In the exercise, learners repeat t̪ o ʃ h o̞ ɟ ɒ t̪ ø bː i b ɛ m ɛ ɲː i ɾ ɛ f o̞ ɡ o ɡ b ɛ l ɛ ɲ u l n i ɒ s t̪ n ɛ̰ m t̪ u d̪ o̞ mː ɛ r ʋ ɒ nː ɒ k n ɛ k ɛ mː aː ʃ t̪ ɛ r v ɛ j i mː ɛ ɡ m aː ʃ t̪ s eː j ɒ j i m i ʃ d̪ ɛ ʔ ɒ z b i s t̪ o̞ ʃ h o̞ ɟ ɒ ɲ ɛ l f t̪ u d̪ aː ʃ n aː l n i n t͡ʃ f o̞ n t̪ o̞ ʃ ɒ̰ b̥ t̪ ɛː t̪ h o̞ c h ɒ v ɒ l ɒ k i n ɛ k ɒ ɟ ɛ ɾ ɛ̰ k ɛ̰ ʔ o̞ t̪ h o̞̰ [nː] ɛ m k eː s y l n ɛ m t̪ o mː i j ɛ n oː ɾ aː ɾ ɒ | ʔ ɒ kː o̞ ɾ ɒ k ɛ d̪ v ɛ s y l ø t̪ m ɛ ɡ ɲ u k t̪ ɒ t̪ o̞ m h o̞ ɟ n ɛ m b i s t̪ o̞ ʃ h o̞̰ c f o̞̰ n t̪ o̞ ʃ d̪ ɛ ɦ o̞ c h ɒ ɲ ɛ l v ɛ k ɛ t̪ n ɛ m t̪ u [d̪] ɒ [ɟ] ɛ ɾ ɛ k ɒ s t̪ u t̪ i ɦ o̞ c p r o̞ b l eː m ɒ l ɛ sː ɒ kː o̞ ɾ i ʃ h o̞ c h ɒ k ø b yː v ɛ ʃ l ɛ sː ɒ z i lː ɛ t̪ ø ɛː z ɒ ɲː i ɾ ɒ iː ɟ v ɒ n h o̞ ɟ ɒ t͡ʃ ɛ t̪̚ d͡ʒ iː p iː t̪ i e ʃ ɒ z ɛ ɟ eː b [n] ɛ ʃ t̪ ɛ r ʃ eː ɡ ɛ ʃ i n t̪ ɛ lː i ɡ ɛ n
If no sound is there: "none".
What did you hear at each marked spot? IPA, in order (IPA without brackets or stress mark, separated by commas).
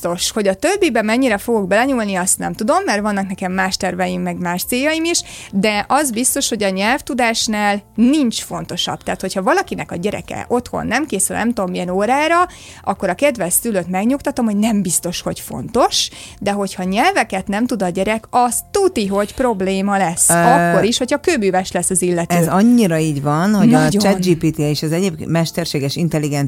nː, d̪, ɟ, m